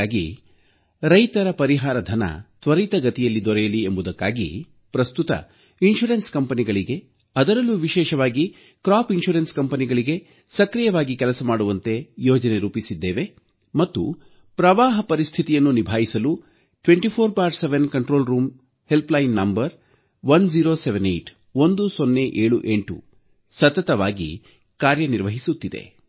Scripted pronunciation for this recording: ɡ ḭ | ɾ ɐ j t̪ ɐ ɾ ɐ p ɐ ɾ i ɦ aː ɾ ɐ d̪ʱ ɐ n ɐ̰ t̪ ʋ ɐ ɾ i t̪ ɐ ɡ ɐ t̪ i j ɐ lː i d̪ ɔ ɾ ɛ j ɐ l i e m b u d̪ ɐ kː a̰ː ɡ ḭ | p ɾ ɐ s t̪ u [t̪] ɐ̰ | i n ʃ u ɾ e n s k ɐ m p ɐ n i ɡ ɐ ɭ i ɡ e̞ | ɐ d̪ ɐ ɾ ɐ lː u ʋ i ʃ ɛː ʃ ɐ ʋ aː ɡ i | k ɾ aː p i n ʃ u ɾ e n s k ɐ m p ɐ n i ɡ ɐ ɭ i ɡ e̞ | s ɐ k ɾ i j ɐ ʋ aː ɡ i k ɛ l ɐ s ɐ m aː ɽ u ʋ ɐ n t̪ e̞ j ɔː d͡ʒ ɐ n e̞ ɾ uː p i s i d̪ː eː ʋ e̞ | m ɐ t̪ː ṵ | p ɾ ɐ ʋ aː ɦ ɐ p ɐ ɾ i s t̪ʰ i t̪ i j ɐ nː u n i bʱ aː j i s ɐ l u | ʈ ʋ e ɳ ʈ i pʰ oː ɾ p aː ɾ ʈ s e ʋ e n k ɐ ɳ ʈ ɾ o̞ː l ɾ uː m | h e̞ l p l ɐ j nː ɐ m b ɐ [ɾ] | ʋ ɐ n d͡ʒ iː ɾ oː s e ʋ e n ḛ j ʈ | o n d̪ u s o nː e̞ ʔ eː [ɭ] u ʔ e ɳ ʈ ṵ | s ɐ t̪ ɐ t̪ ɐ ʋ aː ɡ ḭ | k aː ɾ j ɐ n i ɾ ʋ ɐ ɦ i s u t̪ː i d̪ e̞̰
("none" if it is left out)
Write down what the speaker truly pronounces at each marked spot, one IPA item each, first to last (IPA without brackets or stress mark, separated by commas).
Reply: t̪, ɾ, ɭ